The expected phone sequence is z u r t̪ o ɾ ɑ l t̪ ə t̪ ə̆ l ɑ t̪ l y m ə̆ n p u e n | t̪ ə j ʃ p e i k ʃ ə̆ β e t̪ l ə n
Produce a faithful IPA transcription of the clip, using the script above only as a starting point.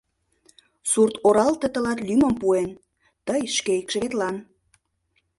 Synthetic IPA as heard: s u r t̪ o ɾ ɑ l t̪ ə t̪ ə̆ l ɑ t̪ l y m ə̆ m p u e n | t̪ ə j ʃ k e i k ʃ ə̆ β e t̪ l ɑ n